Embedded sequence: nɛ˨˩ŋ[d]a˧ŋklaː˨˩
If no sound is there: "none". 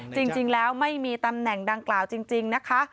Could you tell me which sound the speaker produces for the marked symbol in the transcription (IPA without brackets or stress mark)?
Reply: d